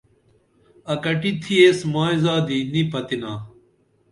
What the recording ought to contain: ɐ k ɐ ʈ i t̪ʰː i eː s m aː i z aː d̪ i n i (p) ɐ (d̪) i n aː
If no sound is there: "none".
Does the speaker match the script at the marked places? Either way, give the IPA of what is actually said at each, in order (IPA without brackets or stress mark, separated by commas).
p, t̪